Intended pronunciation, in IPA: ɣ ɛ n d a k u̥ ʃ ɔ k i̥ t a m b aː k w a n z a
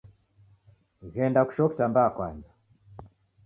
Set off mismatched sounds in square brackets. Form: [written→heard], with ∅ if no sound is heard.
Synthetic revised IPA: ɣ ɛ n d a k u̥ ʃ ɔ k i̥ t a m b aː k w a n z a